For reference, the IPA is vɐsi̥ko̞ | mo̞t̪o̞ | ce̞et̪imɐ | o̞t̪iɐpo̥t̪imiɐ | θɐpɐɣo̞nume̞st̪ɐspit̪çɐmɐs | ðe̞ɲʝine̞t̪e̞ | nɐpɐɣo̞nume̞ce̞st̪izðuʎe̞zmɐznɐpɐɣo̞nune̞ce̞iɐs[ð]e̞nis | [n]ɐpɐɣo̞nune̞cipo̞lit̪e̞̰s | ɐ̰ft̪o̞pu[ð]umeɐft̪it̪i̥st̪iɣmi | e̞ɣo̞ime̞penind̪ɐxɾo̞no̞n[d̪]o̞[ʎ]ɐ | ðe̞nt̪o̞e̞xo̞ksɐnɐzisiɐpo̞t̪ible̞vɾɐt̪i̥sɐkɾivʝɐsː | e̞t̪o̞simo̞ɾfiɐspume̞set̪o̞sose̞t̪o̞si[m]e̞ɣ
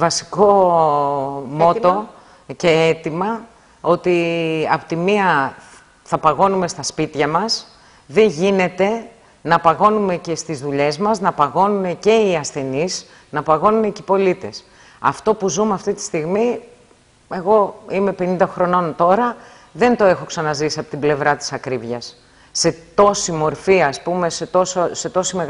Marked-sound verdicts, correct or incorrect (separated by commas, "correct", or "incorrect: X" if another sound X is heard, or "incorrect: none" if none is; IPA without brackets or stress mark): incorrect: θ, correct, incorrect: z, incorrect: t̪, incorrect: ɾ, correct